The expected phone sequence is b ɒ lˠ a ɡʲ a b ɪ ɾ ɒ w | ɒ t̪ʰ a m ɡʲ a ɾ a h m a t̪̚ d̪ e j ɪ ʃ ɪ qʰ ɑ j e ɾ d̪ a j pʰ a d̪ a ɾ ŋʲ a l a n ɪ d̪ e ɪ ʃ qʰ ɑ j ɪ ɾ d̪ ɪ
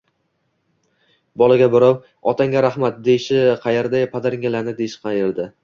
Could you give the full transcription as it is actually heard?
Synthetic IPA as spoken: b ɒ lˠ a ɡʲ a b ɪ ɾ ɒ w | ɒ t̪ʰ a ŋ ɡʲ a ɾ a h m a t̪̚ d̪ e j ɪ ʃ ɪ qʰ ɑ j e ɾ d̪ a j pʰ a d̪ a ɾ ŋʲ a l a n ɪ d̪ e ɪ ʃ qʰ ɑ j ɪ ɾ d̪ ɪ